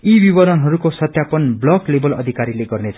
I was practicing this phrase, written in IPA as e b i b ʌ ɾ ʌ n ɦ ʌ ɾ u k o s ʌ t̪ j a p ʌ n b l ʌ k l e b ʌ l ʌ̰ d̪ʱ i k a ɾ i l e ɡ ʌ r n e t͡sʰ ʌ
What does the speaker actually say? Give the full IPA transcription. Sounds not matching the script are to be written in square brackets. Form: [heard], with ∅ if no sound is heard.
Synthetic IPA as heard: [i] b i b ʌ ɾ ʌ n ɦ ʌ ɾ u k o s ʌ t̪ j a p ʌ n b l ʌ k l e b ʌ l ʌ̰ d̪ʱ i k a ɾ i l e ɡ ʌ r n e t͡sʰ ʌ